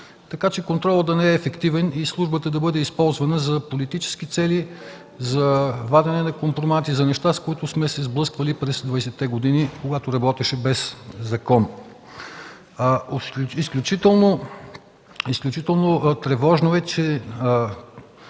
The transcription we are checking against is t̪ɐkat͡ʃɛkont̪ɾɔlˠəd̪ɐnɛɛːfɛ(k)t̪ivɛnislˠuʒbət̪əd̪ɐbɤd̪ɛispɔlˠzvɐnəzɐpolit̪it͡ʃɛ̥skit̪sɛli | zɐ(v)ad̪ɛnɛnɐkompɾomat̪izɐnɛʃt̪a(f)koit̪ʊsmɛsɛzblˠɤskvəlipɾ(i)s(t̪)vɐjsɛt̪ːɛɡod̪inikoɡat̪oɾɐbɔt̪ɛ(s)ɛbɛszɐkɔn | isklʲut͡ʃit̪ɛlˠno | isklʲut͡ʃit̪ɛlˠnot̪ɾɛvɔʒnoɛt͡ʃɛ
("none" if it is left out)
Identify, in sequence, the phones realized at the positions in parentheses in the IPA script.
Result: k, v, s, ɛ, d̪, ʃ

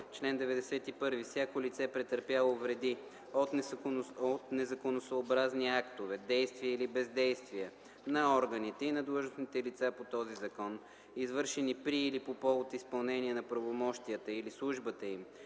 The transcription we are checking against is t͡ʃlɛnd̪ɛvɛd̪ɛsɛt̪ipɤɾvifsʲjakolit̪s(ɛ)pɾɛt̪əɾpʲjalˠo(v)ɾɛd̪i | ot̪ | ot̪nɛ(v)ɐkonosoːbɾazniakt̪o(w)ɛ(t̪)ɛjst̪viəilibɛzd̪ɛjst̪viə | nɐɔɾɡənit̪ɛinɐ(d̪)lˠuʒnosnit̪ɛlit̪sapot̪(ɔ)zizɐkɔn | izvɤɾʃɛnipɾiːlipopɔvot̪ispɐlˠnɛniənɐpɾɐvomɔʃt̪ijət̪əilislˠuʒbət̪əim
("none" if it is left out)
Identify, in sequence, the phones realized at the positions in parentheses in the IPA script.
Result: ɛ, v, z, v, d̪, d̪, ɔ

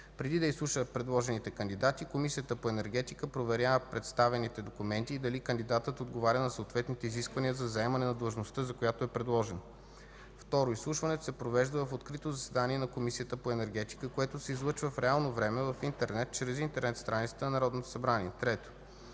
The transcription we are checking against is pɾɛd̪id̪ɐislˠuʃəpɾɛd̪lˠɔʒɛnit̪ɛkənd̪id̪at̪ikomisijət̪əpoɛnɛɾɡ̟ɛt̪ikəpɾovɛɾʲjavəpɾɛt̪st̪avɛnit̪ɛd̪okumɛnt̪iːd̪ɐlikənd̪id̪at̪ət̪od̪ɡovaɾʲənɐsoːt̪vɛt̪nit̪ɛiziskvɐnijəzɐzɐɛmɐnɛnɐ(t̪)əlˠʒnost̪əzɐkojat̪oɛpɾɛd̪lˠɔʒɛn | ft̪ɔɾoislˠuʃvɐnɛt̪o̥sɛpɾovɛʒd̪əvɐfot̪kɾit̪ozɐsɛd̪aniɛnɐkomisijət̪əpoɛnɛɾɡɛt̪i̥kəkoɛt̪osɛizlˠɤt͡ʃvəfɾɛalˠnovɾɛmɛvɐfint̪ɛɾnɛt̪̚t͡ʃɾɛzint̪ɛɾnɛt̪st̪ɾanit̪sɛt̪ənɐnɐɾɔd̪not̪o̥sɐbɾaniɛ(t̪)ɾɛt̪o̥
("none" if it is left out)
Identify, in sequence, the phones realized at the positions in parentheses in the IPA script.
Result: d̪, t̪

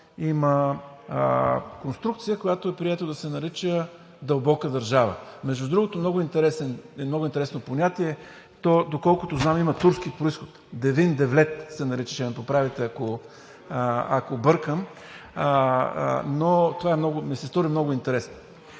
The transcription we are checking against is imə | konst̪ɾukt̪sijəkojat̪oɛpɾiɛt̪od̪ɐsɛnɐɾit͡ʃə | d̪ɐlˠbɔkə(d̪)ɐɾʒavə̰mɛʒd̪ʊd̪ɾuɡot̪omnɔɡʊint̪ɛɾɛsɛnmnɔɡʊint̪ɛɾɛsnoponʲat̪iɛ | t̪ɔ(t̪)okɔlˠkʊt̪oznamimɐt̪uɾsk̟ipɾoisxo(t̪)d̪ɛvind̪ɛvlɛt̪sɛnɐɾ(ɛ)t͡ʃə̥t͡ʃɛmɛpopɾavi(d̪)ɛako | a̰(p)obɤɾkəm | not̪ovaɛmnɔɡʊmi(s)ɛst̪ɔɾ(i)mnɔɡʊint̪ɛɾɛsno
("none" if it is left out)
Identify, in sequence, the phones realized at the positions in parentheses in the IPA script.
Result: d̪, d̪, t̪, i, t̪, k, s, i

